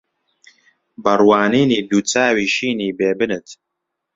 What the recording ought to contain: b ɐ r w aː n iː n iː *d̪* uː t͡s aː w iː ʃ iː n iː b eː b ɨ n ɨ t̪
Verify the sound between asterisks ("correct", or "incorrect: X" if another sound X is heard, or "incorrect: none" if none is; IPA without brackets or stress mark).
correct